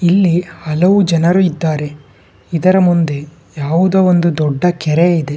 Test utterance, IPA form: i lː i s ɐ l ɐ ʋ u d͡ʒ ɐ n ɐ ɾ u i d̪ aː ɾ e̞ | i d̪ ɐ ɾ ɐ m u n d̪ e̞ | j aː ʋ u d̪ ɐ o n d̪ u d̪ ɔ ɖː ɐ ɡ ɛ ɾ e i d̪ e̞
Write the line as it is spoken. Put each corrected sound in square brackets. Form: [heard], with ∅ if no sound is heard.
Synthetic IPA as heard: i lː i [h] ɐ l ɐ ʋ u d͡ʒ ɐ n ɐ ɾ u i [d̪ː] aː ɾ e̞ | i d̪ ɐ ɾ ɐ m u n d̪ e̞ | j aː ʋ u d̪ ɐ o n d̪ u d̪ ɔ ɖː ɐ [k] ɛ ɾ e i d̪ e̞